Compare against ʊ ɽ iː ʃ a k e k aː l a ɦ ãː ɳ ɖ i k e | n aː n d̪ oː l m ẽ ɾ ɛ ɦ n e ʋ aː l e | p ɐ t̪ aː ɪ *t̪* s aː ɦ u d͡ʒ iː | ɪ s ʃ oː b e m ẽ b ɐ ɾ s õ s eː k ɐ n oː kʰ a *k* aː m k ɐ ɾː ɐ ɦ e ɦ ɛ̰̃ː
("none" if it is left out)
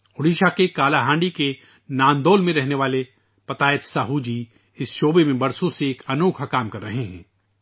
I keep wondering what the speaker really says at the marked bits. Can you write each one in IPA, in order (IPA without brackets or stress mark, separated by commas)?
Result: t̪, k